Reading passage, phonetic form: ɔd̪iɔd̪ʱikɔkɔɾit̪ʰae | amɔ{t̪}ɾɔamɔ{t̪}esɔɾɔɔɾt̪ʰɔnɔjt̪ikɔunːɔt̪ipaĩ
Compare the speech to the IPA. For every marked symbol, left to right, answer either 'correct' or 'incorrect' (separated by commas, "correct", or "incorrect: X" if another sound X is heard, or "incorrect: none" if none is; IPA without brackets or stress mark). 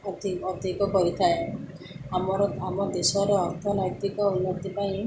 incorrect: none, incorrect: d̪